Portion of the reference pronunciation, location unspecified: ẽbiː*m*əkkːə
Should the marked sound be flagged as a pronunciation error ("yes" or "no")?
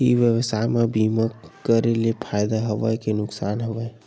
no